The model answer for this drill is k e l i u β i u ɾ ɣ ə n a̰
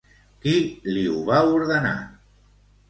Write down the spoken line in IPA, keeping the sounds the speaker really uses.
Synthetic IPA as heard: k i l i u β a u ɾ ð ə n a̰